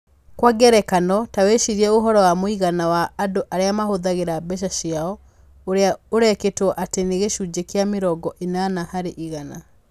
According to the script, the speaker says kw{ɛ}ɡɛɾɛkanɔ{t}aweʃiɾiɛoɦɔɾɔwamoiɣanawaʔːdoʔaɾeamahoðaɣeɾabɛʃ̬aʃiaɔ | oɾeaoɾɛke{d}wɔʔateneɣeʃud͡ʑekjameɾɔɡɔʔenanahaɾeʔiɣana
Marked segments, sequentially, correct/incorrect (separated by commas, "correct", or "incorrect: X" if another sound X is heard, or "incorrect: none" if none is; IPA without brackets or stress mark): incorrect: a, correct, incorrect: t